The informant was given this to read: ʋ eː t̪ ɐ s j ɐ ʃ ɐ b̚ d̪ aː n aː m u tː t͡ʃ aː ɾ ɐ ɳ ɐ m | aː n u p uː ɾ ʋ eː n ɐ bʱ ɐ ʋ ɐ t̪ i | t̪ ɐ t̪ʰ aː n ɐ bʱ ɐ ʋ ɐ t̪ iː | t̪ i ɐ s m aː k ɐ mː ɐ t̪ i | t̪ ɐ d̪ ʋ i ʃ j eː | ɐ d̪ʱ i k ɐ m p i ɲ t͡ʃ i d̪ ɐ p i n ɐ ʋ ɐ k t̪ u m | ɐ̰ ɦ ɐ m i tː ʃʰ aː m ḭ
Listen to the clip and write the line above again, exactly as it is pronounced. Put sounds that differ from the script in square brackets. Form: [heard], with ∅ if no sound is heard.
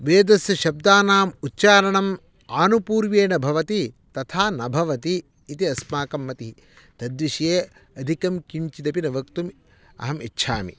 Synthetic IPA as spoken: ʋ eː [d̪] ɐ s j ɐ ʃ ɐ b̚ d̪ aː n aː m u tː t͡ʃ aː ɾ ɐ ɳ ɐ m | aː n u p uː ɾ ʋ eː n ɐ bʱ ɐ ʋ ɐ t̪ i | t̪ ɐ t̪ʰ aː n ɐ bʱ ɐ ʋ ɐ t̪ iː | t̪ i ɐ s m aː k ɐ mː ɐ t̪ i | t̪ ɐ d̪ ʋ i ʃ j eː | ɐ d̪ʱ i k ɐ m [k] i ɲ t͡ʃ i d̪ ɐ p i n ɐ ʋ ɐ k t̪ u m | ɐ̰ ɦ ɐ m i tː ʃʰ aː m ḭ